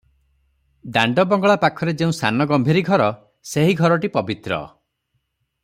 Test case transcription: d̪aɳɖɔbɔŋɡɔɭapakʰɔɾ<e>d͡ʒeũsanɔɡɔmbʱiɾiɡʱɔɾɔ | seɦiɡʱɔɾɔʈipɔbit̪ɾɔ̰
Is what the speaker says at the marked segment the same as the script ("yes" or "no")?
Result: yes